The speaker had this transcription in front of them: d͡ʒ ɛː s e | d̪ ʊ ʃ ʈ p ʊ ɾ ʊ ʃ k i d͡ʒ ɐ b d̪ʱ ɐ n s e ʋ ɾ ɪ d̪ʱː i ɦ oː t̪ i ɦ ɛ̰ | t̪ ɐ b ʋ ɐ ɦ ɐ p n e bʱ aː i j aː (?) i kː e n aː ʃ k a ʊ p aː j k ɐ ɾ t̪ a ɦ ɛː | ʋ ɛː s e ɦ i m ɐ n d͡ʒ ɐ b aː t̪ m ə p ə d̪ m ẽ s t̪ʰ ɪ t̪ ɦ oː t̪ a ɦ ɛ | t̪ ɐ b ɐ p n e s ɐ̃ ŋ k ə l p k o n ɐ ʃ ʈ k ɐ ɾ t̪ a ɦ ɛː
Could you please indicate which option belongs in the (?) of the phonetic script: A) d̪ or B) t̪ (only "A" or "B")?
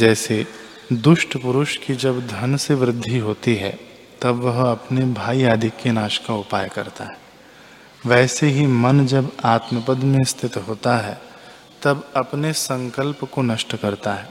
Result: A